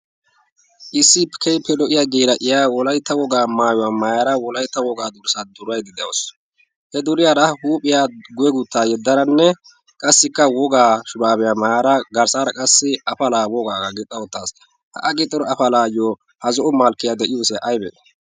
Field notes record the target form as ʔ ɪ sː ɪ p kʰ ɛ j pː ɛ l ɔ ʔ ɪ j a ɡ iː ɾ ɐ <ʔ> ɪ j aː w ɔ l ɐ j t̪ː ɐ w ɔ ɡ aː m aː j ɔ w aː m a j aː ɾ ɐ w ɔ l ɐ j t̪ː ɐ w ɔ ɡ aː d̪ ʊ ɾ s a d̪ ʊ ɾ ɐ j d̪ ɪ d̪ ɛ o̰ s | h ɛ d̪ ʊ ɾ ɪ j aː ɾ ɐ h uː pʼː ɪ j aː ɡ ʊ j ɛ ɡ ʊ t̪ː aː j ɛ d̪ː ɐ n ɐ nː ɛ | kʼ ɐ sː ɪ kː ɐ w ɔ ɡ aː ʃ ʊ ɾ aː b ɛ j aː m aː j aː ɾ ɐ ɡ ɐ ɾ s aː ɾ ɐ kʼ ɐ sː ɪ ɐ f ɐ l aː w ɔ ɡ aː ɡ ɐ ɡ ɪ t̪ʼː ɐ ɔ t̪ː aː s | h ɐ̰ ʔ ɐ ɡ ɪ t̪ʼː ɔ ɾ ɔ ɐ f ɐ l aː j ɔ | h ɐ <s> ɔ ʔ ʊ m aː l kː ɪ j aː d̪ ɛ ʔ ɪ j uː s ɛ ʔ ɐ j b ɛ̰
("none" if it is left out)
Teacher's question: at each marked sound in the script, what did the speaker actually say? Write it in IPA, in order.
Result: ʔ, z

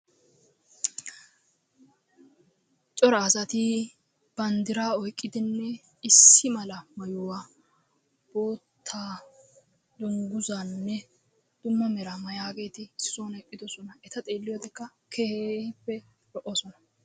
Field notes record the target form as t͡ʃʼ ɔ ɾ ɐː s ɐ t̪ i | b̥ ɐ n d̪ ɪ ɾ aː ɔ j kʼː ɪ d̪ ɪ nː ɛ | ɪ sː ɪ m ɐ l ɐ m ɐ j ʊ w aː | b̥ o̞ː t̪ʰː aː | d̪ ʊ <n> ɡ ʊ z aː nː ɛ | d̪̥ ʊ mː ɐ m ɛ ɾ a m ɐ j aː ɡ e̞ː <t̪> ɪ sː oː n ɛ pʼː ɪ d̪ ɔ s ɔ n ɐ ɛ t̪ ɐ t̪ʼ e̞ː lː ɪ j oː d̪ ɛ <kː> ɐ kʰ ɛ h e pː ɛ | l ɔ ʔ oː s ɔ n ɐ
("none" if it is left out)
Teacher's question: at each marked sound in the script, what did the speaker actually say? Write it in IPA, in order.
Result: ŋ, t̪, kː

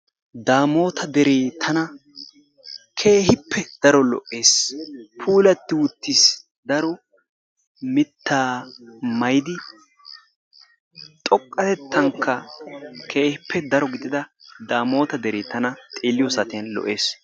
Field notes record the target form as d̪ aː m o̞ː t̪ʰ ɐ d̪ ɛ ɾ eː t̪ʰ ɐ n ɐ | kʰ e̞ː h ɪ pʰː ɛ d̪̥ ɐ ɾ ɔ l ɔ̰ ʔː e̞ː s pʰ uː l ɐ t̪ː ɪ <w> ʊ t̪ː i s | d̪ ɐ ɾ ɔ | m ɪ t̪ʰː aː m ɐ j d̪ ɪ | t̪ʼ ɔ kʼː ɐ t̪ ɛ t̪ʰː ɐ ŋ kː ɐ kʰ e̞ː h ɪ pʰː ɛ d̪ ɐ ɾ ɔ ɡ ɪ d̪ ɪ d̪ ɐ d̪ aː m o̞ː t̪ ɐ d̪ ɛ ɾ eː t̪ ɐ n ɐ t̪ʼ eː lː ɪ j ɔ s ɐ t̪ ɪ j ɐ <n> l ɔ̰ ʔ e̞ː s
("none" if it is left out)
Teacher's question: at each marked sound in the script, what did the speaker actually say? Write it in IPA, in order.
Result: w, n

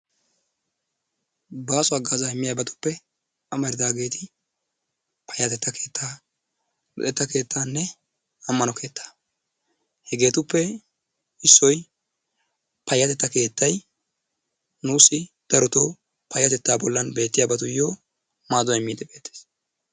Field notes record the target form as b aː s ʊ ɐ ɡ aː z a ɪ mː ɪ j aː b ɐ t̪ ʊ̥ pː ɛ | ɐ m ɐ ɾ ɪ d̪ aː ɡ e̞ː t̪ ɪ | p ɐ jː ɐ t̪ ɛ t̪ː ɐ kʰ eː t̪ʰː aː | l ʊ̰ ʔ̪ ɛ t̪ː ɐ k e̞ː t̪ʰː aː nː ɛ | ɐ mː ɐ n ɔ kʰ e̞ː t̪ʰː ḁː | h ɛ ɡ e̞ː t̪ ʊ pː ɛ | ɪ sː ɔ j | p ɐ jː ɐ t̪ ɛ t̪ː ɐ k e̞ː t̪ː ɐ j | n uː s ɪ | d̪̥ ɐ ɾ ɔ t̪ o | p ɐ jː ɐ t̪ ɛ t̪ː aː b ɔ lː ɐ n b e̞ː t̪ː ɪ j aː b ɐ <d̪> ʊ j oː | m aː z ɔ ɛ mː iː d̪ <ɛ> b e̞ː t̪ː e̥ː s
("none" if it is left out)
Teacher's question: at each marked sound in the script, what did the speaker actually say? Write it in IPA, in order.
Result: t̪, ɛ

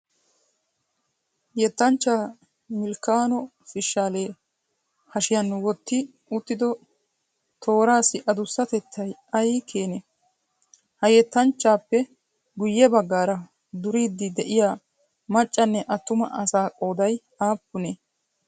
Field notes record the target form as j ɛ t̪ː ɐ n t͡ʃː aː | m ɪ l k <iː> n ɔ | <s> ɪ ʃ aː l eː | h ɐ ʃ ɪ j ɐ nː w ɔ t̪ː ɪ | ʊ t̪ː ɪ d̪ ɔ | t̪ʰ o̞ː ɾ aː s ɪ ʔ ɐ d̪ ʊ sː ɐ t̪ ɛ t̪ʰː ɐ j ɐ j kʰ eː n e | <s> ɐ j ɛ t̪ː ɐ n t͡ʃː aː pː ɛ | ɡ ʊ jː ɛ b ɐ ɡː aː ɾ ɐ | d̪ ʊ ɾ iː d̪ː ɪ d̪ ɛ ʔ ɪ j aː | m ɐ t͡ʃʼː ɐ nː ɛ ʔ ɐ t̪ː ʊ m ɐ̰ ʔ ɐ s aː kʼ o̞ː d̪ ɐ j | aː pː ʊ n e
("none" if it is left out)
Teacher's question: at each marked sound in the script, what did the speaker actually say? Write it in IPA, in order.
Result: aː, f, h

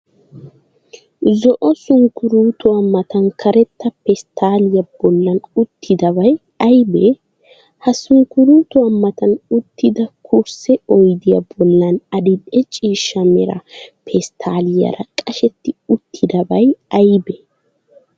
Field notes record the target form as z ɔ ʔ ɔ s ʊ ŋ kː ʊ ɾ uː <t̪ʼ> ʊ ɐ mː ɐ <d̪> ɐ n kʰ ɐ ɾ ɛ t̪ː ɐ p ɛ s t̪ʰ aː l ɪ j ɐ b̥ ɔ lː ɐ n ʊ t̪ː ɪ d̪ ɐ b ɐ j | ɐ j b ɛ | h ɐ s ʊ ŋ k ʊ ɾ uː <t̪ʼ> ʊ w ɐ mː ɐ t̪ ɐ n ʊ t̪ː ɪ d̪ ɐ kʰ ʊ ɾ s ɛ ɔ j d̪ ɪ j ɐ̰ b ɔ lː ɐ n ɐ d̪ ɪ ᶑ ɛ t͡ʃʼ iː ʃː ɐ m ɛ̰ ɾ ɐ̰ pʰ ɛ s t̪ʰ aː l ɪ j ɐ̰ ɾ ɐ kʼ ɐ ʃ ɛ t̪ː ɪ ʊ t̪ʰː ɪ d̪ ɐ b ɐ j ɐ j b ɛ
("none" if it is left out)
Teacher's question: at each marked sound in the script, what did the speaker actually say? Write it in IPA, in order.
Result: t̪, t̪, t̪

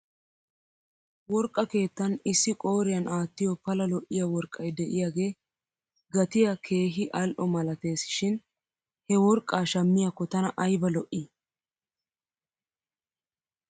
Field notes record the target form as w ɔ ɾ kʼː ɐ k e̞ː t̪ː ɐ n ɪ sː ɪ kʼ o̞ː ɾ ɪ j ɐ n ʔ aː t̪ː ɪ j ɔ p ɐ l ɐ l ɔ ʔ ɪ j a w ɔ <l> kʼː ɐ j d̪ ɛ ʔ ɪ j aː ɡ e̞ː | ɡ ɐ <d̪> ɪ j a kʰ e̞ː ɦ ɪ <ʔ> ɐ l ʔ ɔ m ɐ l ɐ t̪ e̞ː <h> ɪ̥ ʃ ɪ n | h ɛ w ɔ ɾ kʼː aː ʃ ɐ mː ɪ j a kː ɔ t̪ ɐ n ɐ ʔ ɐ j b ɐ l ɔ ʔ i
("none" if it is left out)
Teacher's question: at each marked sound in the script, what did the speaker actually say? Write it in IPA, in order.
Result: ɾ, t̪, ʔ, s

